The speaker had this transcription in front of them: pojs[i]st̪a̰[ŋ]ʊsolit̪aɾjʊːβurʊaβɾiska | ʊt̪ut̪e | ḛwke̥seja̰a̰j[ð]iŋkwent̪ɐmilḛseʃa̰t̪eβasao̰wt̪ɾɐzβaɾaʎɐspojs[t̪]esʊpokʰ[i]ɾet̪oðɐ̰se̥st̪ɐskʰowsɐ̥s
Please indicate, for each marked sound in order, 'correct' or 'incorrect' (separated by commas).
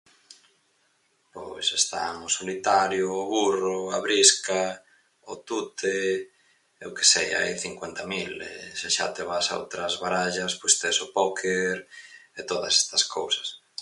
incorrect, correct, incorrect, correct, incorrect